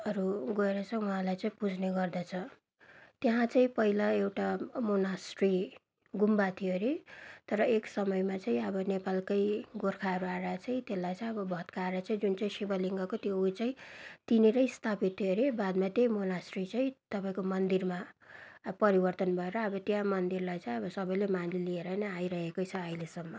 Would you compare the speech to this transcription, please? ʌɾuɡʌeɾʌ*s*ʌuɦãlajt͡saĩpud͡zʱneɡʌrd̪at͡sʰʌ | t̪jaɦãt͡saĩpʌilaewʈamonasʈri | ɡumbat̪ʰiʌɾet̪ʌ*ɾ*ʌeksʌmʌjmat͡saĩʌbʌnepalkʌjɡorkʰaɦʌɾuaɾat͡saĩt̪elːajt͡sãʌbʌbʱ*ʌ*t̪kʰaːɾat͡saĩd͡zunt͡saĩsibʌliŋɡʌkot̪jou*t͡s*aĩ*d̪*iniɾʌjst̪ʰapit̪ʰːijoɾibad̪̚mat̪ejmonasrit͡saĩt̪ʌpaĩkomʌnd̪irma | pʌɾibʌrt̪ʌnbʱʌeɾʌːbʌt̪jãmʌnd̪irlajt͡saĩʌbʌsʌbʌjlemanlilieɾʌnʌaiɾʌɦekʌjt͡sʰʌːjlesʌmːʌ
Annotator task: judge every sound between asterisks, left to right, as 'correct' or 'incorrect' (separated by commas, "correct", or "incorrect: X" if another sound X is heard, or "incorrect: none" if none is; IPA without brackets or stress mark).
incorrect: t͡s, correct, correct, correct, incorrect: t̪